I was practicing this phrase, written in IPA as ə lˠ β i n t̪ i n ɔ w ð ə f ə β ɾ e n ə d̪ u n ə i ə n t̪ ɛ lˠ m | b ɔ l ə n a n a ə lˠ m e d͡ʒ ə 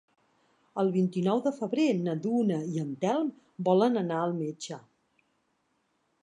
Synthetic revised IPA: ə lˠ β i n t̪ i n ɔ w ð ə f ə β ɾ e n ə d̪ u n ə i ə n t̪ ɛ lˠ m | b ɔ l ə n ə n a ə lˠ m e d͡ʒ ə